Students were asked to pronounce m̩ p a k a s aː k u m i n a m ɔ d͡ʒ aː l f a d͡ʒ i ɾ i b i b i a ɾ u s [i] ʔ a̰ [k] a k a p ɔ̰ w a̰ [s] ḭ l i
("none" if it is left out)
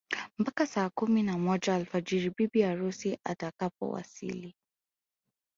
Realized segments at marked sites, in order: i, t, s

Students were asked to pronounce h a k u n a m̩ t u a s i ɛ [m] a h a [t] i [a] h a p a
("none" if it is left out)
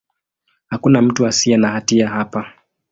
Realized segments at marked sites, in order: n, t, a

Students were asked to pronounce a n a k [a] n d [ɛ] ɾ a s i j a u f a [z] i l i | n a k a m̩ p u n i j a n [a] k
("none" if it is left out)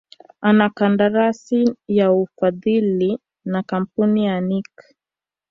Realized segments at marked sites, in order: a, a, ð, i

